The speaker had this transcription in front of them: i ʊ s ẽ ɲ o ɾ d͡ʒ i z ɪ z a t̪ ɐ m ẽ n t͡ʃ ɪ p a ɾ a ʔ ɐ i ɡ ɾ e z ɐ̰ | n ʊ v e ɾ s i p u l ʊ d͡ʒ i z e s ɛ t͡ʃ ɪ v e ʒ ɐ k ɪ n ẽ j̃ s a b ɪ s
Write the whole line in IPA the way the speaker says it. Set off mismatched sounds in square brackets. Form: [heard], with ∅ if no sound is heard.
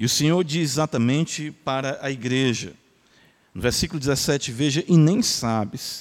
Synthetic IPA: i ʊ s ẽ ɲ o ɾ d͡ʒ i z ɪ z a t̪ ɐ m ẽ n t͡ʃ ɪ p a ɾ [ɐ] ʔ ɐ i ɡ ɾ e [ʒ] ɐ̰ | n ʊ v e ɾ s i [k] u l ʊ d͡ʒ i z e s ɛ t͡ʃ ɪ v e ʒ ɐ [ʔ] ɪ n ẽ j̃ s a b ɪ s